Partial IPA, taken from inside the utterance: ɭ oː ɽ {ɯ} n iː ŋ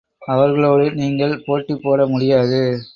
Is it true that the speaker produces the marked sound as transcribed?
yes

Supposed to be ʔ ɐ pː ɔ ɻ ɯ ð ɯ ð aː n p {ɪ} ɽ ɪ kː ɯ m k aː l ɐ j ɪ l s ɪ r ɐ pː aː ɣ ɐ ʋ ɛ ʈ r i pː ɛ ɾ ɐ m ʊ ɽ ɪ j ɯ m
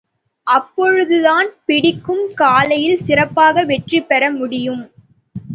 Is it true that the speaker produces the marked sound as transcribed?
yes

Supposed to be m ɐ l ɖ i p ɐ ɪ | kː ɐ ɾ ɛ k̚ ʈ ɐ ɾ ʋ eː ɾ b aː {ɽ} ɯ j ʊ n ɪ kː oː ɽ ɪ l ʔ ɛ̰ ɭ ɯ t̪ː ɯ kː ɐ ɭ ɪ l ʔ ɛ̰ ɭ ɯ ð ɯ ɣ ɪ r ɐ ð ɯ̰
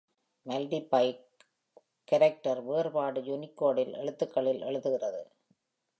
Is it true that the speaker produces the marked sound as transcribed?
yes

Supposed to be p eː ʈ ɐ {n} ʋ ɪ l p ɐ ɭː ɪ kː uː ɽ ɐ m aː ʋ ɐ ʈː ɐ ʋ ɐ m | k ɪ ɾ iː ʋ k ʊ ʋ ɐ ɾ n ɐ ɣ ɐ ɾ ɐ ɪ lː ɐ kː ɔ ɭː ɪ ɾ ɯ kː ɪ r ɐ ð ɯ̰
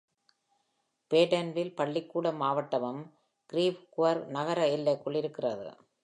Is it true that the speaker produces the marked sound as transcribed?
yes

